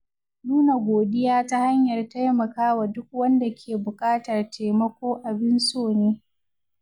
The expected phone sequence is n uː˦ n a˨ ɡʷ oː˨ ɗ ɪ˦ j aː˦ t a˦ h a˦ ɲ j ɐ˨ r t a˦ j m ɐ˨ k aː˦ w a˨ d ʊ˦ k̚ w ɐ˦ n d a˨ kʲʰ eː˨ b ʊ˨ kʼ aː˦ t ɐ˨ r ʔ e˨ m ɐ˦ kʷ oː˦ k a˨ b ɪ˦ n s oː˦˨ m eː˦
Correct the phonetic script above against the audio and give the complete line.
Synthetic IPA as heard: n uː˦ n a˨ ɡʷ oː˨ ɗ ɪ˦ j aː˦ t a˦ h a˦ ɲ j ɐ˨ r t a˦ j m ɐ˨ k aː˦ w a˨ d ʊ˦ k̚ w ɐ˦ n d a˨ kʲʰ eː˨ b ʊ˨ kʼ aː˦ t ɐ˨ r t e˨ m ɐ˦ kʷ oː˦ ʔ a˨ b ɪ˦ n s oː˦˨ n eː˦